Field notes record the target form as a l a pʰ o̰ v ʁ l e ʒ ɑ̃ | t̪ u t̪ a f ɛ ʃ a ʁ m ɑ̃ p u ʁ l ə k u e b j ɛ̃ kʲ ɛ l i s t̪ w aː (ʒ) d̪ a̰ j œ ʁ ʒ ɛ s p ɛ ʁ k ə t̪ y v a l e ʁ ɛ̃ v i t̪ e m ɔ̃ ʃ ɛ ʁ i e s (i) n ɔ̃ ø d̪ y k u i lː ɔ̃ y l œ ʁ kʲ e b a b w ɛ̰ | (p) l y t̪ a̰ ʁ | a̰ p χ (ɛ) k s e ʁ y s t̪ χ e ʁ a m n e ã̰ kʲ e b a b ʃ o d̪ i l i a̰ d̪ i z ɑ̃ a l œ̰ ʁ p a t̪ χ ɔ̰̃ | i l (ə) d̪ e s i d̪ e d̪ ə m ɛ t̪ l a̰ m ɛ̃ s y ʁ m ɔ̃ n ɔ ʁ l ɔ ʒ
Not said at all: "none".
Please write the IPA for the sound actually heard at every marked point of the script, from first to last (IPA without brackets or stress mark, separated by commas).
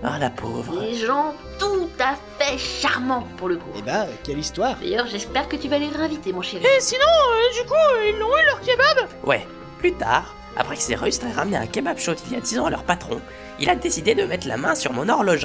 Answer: ʁ, i, p, ɛ, a